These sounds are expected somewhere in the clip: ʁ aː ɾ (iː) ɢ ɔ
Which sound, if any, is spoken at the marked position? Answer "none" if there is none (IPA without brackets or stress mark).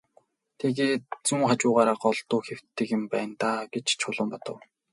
aː